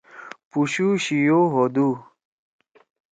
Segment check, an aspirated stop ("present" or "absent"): absent